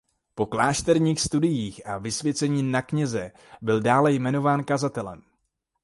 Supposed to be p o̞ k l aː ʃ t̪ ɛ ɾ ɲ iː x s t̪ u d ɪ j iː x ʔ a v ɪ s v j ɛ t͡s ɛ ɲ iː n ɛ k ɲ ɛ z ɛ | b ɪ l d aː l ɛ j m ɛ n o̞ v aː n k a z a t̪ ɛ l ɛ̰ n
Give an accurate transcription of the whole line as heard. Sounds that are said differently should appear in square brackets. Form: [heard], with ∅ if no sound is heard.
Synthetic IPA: p o̞ k l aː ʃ t̪ ɛ ɾ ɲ iː x s t̪ u d ɪ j iː x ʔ a v ɪ s v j ɛ t͡s ɛ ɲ iː n [a] k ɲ ɛ z ɛ | b ɪ l d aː l ɛ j m ɛ n o̞ v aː n k a z a t̪ ɛ l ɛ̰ [m]